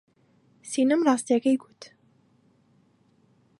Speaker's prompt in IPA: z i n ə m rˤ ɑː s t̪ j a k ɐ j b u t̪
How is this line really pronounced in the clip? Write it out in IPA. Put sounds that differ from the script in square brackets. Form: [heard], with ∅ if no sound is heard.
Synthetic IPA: [s] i n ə m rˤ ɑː s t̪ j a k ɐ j [ɡ] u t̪